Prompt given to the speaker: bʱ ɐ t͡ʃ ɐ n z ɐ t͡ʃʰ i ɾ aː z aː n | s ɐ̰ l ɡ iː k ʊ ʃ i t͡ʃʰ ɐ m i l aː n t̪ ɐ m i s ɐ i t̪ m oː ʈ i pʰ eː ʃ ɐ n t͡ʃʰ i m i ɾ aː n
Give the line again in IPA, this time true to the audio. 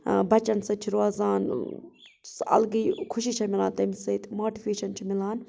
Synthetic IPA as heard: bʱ ɐ t͡ʃ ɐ n s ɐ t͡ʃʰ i ɾ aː z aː n | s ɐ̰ l ɡ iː kʰ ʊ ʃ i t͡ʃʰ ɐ m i l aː n t̪ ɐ m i s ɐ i t̪ m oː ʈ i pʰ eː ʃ ɐ n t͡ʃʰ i m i l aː n